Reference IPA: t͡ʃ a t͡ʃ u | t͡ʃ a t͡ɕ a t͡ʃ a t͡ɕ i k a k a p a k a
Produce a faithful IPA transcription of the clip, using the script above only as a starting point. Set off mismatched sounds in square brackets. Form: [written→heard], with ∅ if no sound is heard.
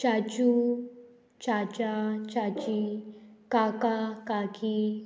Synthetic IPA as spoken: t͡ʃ a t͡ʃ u | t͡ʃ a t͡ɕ a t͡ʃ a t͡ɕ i k a k a [p→k] a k [a→i]